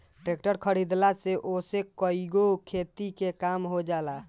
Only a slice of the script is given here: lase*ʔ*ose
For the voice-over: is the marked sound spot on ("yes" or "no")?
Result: yes